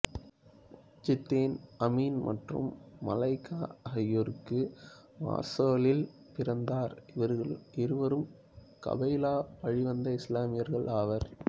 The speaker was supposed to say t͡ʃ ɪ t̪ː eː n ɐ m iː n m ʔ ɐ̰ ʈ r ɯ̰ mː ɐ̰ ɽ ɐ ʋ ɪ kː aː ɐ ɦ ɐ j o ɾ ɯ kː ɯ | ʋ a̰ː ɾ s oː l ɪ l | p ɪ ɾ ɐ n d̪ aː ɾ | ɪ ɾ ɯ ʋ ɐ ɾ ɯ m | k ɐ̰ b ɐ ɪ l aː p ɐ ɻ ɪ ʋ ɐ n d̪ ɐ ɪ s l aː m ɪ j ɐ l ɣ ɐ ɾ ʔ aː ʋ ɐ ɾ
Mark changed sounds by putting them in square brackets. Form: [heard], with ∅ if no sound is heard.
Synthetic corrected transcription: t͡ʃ ɪ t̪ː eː n ɐ m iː n m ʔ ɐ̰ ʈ r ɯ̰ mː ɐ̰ [l] ɐ [∅] ɪ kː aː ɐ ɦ ɐ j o ɾ ɯ kː ɯ | ʋ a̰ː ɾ s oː l ɪ l | p ɪ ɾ ɐ n d̪ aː ɾ | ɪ ɾ ɯ ʋ ɐ ɾ ɯ m | k ɐ̰ b ɐ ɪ l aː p ɐ ɻ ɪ ʋ ɐ n d̪ ɐ ɪ s l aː m ɪ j ɐ [ɾ] ɣ ɐ [ɭ] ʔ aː ʋ ɐ ɾ